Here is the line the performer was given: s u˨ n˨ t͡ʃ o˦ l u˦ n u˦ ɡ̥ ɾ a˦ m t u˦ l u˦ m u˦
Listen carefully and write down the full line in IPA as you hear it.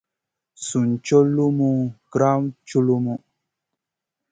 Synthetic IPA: s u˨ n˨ t͡ʃ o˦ l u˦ m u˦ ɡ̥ ɾ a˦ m t͡ʃ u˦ l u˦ m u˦